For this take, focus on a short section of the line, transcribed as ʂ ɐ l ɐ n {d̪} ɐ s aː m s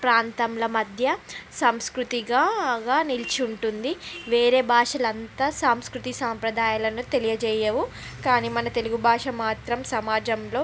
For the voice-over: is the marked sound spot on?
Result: no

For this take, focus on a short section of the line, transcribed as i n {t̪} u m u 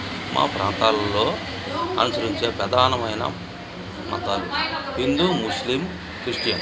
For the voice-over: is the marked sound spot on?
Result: no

